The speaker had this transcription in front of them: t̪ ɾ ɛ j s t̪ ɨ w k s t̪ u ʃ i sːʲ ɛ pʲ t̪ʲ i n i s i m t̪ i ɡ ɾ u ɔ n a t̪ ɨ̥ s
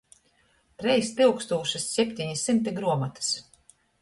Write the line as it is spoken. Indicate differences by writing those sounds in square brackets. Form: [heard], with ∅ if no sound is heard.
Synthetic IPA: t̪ ɾ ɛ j s t̪ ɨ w k s t̪ [uː] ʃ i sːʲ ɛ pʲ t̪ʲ i [ɲ] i s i m t̪ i ɡ ɾ u ɔ [m] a t̪ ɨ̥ s